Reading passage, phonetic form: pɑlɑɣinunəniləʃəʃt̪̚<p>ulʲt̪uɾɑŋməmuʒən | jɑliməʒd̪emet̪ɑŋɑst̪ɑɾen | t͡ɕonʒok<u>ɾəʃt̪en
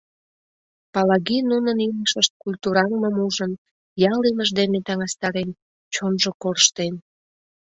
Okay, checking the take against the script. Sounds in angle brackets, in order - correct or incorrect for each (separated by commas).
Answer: incorrect, incorrect